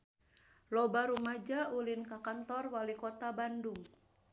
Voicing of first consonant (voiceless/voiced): voiced